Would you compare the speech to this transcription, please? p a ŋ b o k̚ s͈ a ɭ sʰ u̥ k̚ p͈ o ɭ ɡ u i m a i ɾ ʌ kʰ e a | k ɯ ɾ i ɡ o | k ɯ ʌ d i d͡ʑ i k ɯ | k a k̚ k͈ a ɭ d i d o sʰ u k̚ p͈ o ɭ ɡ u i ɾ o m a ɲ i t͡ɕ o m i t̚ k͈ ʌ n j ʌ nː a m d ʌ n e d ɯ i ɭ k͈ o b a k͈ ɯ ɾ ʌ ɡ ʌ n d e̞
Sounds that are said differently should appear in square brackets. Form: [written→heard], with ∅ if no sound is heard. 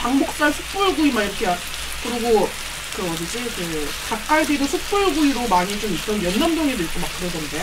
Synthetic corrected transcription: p a ŋ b o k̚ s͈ a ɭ sʰ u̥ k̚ p͈ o ɭ ɡ u i m a i ɾ ʌ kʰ e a | k ɯ ɾ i ɡ o | k ɯ ʌ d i d͡ʑ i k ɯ | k a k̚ k͈ a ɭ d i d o sʰ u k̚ p͈ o ɭ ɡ u i ɾ o m a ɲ i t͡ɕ o m i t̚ [k͈→t͈] ʌ n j ʌ nː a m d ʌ [n→ŋ] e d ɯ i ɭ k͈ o [b→m] a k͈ ɯ ɾ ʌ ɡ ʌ n d e̞